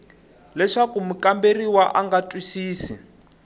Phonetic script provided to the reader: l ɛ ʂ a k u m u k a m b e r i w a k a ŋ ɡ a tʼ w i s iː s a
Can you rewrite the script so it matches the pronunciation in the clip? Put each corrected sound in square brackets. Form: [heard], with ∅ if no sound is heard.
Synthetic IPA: l ɛ ʂ a k u m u k a m b e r i w a [ʔ] a ŋ ɡ a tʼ w i s iː s [i]